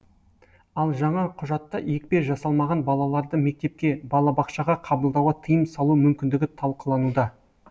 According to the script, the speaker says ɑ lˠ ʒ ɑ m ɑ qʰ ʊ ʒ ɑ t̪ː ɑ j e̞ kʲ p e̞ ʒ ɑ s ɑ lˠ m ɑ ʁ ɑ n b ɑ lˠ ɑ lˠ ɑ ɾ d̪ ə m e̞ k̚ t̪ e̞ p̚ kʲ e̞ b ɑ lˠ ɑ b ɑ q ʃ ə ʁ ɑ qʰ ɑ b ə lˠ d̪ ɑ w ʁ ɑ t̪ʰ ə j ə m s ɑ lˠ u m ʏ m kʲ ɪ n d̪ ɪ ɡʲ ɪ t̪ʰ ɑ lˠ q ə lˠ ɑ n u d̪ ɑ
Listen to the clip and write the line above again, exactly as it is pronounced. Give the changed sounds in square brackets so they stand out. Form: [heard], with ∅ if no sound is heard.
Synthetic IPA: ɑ lˠ ʒ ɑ [ɴ] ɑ qʰ ʊ ʒ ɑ t̪ː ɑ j e̞ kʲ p e̞ ʒ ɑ s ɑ lˠ m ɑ ʁ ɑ n b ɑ lˠ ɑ lˠ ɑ ɾ d̪ ə m e̞ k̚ t̪ e̞ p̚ kʲ e̞ b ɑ lˠ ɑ b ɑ q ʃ [ɑ] ʁ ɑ qʰ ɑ b ə lˠ d̪ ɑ w ʁ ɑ t̪ʰ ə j ə m s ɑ lˠ u m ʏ m kʲ ɪ n d̪ ɪ ɡʲ ɪ t̪ʰ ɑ lˠ q ə lˠ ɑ n u d̪ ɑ